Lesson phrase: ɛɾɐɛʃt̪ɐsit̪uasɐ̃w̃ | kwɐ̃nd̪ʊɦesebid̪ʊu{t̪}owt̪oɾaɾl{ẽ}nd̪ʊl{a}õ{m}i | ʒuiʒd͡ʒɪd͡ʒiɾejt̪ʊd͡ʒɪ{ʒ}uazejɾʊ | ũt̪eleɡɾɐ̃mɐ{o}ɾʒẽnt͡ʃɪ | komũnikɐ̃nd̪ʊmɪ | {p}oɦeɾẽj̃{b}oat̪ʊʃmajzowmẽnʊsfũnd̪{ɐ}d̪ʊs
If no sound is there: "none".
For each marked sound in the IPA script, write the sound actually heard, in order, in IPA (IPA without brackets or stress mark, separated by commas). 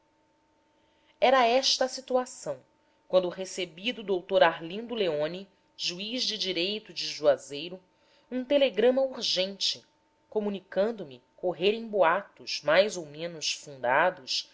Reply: d̪, ĩ, e, n, ʒ, u, k, b, a